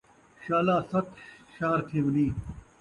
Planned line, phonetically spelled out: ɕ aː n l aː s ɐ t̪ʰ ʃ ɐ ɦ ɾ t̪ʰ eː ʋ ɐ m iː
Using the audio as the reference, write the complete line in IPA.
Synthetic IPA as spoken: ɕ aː l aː s ɐ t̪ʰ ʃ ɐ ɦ ɾ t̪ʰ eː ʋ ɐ n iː

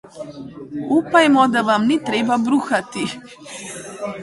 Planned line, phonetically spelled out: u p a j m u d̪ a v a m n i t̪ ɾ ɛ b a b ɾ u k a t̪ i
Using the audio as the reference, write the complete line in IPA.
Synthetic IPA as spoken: u p a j m ɔ d̪ a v a m n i t̪ ɾ ɛ b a b ɾ u x a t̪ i

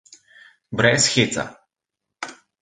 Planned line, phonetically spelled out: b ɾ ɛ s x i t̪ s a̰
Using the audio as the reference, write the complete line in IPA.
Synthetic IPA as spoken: b ɾ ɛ s x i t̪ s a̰

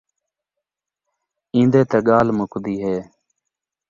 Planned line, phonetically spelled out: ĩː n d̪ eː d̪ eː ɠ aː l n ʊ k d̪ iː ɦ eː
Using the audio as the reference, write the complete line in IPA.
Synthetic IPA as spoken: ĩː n d̪ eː t̪ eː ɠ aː l m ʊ k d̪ iː ɦ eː

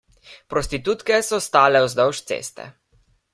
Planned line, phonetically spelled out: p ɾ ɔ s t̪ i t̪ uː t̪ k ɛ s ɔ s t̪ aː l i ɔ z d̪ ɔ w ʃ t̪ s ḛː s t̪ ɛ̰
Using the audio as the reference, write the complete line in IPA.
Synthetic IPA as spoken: p ɾ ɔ s t̪ i t̪ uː t̪ k ɛ s ɔ s t̪ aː l ɛ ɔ z d̪ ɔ w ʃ t̪ s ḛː s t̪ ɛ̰

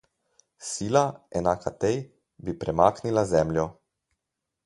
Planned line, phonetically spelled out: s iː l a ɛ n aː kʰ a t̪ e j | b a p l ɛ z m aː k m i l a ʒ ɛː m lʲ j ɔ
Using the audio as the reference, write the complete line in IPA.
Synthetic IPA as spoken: s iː l a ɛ n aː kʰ a t̪ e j | b i p ɾ ɛ m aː k n i l a z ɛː m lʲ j ɔ

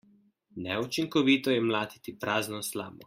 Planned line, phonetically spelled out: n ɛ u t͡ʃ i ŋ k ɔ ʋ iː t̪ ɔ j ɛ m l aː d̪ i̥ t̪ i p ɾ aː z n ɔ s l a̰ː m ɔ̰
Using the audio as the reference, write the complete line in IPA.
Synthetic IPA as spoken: n ɛ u t͡ʃ i ŋ k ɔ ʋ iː t̪ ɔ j ɛ m l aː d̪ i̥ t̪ i p ɾ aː z n ɔ s l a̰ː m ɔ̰

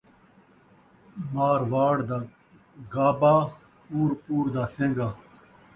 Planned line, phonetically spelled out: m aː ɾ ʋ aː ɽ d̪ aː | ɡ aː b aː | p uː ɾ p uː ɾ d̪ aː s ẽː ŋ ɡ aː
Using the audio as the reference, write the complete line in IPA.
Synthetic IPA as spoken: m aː ɾ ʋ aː ɽ d̪ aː | ɡ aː b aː | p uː ɾ p uː ɾ d̪ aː s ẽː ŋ ɡ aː

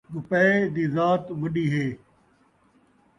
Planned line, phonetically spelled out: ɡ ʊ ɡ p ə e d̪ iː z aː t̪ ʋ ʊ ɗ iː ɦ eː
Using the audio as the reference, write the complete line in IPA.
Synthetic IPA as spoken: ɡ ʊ p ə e d̪ iː z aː t̪ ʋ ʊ ɗ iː ɦ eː

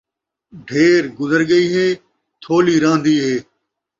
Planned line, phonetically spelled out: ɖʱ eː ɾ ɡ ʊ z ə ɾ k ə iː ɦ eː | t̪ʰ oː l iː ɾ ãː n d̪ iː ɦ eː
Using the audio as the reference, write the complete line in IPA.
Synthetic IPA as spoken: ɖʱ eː ɾ ɡ ʊ z ə ɾ ɡ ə iː ɦ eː | t̪ʰ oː l iː ɾ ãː n d̪ iː ɦ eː

